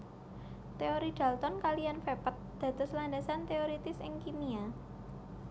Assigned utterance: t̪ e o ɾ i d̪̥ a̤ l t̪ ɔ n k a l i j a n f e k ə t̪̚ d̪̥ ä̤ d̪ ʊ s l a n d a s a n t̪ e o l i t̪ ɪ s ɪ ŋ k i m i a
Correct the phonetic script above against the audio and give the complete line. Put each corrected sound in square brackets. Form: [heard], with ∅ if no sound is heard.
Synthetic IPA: t̪ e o ɾ i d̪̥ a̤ l t̪ ɔ n k a l i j a n f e [p] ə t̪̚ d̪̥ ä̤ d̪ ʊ s l a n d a s a n t̪ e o [ɾ] i t̪ ɪ s ɪ ŋ k i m i a